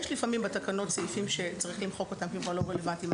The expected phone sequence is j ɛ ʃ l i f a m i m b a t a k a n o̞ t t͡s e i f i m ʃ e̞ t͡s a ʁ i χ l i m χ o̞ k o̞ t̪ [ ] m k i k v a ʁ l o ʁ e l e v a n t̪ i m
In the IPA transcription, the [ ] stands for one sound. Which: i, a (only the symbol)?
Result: a